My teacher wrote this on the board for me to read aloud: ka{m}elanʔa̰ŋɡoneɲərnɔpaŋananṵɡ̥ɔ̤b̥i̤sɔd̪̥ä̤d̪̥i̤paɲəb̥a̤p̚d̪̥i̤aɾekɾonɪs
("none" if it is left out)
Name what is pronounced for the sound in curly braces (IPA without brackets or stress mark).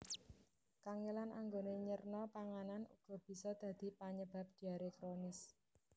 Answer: ŋ